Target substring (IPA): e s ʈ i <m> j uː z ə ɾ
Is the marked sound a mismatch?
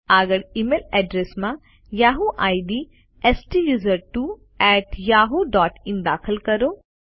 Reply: yes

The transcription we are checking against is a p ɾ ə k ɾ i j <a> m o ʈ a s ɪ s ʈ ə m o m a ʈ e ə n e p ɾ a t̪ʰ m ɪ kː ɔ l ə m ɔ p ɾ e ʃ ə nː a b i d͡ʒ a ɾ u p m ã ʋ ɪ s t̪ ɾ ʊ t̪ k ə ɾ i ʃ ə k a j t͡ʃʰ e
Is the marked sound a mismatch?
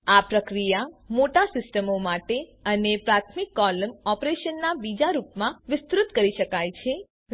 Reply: no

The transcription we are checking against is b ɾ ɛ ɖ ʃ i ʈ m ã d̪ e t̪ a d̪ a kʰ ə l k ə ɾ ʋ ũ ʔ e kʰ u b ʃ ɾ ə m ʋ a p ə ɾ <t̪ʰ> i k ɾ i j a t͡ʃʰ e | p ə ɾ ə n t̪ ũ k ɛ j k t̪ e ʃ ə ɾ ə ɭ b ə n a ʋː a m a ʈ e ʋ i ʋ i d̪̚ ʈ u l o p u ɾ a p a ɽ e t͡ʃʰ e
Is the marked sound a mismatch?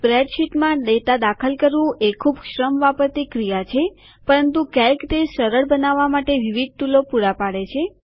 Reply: yes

